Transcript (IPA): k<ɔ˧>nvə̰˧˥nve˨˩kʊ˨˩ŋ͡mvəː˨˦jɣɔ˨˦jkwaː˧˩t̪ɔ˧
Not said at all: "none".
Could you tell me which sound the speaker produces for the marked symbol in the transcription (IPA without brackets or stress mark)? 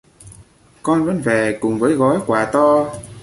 ɔ˧